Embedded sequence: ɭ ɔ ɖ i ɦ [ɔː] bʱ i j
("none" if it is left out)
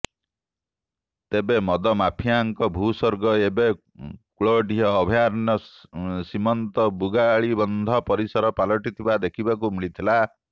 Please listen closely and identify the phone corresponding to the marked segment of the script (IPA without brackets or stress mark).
ɔː